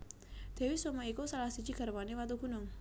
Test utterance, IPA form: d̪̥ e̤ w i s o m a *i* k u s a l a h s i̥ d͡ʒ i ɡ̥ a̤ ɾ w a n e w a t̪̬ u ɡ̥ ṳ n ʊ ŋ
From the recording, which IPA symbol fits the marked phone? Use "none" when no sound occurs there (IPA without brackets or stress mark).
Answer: i